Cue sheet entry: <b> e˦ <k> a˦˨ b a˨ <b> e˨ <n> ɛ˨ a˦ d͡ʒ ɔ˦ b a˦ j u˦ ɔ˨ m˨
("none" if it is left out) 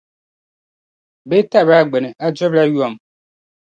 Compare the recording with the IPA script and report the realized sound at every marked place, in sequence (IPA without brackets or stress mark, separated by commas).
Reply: b, t, ɡ͡b, n